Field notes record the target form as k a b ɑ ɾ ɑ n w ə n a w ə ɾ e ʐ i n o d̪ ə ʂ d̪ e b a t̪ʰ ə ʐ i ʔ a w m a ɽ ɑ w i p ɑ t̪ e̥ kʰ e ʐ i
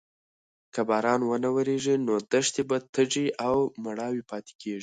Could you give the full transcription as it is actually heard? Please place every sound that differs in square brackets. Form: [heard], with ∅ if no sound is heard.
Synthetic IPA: k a b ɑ ɾ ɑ n w ə n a w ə ɾ e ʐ i n o d̪ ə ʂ [t̪] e b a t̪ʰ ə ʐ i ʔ a w m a ɽ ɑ w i p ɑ t̪ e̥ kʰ e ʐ i

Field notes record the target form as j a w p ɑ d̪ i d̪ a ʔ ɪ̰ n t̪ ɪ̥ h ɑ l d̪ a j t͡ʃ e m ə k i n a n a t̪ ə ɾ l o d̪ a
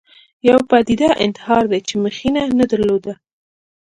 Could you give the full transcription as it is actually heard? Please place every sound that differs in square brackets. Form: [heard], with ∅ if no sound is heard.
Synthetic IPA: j a w p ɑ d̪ i d̪ a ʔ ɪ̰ n t̪ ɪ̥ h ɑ [ɾ] d̪ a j t͡ʃ e m ə [x] i n a n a [d̪] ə ɾ l o d̪ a

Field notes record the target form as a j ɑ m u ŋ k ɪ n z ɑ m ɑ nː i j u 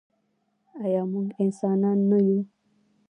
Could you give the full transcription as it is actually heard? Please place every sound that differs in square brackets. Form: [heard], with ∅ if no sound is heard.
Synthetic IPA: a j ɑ m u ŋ [ɡ] ɪ n [s] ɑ [n] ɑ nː [a] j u

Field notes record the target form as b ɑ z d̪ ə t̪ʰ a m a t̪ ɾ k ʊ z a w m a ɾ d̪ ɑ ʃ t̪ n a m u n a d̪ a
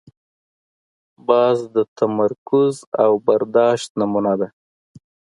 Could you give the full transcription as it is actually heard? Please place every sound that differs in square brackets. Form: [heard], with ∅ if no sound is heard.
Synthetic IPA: b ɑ z d̪ ə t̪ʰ a m a [∅] ɾ k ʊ z a w [b] a ɾ d̪ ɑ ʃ t̪ n a m u n a d̪ a

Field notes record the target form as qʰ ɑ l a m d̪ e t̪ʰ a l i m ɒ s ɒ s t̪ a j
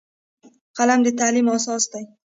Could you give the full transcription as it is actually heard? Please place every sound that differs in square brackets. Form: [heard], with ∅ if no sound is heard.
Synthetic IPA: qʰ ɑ l a m d̪ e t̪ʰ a l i m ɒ s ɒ s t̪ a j

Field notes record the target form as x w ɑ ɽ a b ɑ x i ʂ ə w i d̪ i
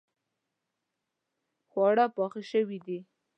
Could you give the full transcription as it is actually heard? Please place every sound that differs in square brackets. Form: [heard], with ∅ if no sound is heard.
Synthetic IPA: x w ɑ ɽ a [p] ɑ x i [ʃ] ə w i d̪ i

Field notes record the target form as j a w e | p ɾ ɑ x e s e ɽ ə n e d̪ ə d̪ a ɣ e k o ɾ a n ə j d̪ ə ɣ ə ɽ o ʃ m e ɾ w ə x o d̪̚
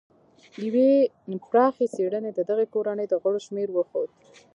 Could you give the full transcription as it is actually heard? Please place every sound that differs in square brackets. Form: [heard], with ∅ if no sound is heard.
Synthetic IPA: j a w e | p ɾ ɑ x e s e ɽ ə n e d̪ ə d̪ a ɣ e k o ɾ a n ə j d̪ ə ɣ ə ɽ o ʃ m e ɾ w ə x o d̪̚

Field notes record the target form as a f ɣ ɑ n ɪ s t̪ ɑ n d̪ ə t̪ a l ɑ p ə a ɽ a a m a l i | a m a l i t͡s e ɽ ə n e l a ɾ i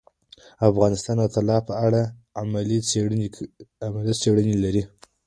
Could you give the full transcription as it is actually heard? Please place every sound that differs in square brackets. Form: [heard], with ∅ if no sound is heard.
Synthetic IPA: a f ɣ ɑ n ɪ s t̪ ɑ n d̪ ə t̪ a l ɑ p ə a ɽ a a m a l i | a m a l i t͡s e ɽ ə n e l a ɾ i

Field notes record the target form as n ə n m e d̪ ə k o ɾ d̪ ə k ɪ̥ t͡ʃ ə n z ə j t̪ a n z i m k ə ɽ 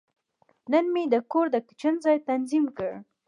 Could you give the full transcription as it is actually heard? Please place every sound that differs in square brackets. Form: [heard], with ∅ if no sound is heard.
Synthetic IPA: n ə n m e d̪ ə k o ɾ d̪ ə k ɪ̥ t͡ʃ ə n z [ɑ] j t̪ a n z i m k ə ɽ

